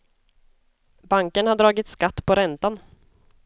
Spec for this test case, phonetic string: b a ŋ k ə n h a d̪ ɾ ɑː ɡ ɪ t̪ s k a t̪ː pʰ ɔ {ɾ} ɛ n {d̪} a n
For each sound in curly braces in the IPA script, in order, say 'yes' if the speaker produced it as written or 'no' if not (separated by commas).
yes, no